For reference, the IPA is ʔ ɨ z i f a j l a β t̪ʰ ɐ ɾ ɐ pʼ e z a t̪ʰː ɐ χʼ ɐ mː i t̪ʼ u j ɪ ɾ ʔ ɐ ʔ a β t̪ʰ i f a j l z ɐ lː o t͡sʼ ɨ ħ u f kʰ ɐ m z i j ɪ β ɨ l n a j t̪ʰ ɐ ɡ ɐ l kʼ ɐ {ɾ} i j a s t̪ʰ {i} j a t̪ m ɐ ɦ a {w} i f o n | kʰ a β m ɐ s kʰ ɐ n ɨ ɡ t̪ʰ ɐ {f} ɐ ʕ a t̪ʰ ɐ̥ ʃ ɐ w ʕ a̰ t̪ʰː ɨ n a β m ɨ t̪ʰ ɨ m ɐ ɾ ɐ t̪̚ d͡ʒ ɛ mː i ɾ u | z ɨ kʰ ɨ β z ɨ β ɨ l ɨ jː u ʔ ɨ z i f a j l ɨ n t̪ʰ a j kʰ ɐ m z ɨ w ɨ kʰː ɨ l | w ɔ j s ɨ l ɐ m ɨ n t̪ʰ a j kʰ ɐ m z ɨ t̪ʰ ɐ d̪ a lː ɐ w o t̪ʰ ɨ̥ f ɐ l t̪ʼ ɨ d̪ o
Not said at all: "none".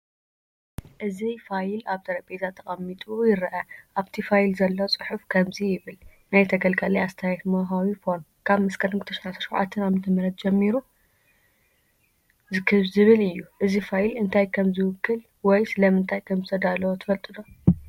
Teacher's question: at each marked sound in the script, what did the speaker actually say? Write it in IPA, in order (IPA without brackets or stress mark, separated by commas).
l, a, w, ʃ